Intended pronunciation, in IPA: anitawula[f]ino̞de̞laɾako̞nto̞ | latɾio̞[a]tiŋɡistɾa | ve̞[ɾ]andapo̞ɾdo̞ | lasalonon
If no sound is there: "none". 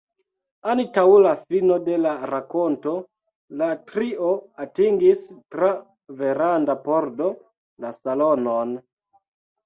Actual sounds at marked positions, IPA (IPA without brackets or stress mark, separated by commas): f, a, ɾ